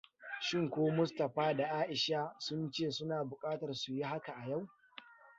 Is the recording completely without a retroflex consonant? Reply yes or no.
yes